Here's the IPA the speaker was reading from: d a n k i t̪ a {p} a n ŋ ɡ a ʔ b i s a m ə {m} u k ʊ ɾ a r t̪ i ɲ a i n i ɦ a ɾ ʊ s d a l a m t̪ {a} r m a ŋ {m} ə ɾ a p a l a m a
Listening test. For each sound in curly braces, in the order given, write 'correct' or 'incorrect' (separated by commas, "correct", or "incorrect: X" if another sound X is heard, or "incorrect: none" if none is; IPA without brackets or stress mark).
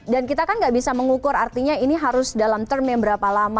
incorrect: k, incorrect: ŋ, incorrect: ə, incorrect: b